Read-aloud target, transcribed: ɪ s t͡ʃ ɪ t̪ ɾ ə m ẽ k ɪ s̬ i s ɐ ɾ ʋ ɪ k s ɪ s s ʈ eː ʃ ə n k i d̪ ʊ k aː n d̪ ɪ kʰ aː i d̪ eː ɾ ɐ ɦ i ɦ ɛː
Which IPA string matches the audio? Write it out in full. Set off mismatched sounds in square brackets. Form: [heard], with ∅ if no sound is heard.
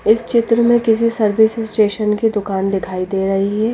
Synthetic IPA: ɪ s t͡ʃ ɪ t̪ ɾ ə m ẽ k ɪ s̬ i s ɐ ɾ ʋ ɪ [∅] s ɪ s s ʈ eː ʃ ə n k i d̪ ʊ k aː n d̪ ɪ kʰ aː i d̪ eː ɾ ɐ ɦ i ɦ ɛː